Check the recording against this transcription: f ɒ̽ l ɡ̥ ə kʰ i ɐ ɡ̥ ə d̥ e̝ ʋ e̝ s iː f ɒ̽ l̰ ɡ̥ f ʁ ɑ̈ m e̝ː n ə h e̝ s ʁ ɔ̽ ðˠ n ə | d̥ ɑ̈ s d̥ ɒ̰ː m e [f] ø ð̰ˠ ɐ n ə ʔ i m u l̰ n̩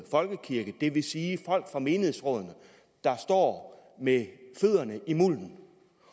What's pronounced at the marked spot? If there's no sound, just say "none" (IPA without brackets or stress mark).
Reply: f